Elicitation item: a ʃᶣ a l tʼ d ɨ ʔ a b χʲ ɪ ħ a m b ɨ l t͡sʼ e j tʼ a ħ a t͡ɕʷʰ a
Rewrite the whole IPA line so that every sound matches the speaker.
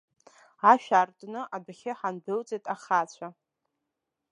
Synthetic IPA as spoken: a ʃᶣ a r tʼ n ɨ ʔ a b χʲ ɪ ħ a n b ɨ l t͡sʼ e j tʼ a χ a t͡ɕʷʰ a

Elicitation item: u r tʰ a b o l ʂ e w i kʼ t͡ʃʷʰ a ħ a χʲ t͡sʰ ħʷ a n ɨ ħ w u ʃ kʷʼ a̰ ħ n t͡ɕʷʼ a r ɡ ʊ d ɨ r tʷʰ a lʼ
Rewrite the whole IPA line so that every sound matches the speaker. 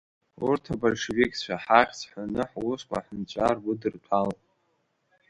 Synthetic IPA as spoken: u r tʰ a b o l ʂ e v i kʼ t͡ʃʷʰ a ħ a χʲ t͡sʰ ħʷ a n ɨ ħ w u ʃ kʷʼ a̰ ħ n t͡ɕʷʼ a r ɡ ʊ d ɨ r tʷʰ a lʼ

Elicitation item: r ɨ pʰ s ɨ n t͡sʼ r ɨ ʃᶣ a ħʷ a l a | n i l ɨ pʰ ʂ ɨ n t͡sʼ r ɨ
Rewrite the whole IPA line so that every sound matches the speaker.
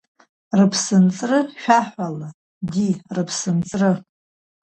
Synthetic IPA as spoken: r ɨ pʰ s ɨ n t͡sʼ r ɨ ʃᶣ a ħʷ a l a | d i r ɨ pʰ s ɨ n t͡sʼ r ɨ

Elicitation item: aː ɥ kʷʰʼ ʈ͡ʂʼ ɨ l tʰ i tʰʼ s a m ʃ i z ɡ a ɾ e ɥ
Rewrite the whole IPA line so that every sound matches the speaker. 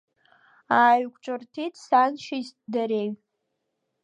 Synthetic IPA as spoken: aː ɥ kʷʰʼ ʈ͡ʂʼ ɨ r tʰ i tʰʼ s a n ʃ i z d a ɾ e ɥ

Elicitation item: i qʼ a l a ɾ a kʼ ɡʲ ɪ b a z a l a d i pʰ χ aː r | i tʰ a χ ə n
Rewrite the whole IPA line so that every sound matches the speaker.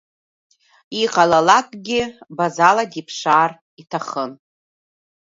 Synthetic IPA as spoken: i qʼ a l a l a kʼ ɡʲ ɪ b a z a l a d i pʰ ʂ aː r | i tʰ a χ ə n

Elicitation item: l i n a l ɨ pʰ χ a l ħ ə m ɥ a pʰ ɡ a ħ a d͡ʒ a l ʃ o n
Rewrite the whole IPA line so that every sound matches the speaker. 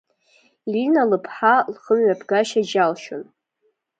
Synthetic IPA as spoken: l i n a l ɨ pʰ ħ a l χ ə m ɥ a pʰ ɡ a ʃ a d͡ʒ a l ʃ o n

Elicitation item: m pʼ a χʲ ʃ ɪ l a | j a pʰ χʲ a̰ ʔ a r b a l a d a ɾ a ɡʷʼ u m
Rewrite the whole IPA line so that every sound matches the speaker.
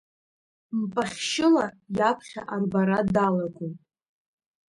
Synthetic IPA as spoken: m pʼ a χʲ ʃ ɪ l a | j a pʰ χʲ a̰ ʔ a r b a ɾ a d a l a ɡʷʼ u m

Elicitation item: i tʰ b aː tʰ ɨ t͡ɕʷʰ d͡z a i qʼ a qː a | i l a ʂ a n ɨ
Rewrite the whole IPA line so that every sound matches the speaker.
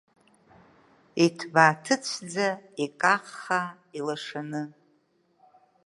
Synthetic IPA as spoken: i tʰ b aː tʰ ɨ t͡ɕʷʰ d͡z a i kʼ a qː a | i l a ʂ a n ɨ

